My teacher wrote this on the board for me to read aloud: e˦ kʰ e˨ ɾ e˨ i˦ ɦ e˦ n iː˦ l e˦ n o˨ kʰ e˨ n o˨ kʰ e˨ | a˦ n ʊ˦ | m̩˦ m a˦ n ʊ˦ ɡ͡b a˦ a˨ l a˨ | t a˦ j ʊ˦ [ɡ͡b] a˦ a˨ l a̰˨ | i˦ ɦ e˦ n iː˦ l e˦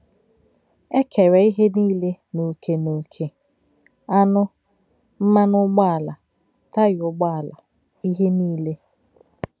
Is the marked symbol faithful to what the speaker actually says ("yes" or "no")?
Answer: yes